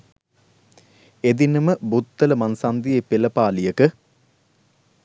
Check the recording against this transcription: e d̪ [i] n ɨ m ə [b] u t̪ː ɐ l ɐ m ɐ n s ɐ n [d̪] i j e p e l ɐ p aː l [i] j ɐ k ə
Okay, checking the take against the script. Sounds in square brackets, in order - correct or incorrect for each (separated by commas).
correct, correct, correct, correct